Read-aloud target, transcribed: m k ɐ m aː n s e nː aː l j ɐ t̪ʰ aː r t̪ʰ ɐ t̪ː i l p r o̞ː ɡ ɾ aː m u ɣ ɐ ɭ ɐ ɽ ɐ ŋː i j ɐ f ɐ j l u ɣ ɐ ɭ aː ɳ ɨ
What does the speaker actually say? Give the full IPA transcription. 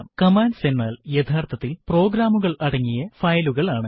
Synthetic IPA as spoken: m k ɐ m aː n s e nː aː l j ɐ t̪ʰ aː r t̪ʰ ɐ t̪ː i l p r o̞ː ɡ ɾ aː m u ɣ ɐ ɭ ɐ ɽ ɐ ŋː i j ɐ f ɐ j l u ɣ ɐ ɭ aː ɳ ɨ